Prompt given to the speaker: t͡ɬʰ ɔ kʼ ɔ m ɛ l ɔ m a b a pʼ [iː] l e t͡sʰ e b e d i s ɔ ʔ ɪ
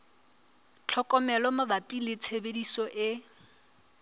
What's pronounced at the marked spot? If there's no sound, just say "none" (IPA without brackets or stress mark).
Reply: i